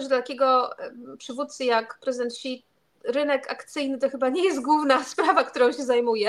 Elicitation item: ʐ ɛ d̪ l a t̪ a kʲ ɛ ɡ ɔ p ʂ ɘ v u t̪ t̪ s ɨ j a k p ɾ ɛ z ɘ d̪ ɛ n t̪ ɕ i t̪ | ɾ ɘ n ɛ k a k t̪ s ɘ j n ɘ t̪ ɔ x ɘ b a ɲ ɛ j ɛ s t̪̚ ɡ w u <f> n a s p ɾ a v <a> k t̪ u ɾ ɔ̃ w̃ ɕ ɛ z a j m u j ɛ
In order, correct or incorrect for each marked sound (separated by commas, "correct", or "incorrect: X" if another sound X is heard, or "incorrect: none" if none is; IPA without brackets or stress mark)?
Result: incorrect: v, correct